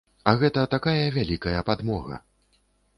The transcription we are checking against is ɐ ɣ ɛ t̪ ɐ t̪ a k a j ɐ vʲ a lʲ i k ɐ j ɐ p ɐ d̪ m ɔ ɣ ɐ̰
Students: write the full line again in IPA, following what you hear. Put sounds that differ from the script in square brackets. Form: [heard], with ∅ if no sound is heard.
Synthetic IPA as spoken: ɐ ɣ ɛ t̪ ɐ t̪ a k a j ɐ vʲ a lʲ i k ɐ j ɐ p [a] d̪ m ɔ ɣ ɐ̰